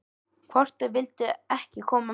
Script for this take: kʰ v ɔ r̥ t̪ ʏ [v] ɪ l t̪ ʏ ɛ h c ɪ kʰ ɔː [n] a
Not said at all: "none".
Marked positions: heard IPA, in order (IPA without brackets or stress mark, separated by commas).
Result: v, m